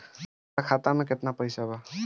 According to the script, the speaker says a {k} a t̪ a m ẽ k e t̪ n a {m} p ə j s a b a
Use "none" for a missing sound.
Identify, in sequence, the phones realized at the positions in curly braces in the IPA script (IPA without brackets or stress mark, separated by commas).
kʰ, none